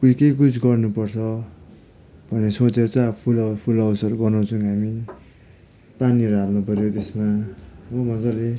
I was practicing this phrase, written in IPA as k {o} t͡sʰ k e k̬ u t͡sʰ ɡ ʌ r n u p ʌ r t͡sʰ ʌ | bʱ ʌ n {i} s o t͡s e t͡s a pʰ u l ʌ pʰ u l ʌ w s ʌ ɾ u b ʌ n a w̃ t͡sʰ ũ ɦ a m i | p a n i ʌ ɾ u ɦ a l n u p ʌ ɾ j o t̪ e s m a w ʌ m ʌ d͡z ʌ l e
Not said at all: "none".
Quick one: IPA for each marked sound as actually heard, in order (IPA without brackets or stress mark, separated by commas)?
u, e